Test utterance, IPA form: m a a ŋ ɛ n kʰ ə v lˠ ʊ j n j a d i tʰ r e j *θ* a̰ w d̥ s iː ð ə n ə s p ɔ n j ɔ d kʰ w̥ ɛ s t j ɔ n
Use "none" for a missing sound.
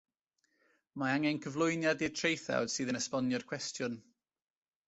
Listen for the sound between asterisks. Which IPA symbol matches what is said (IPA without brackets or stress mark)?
θ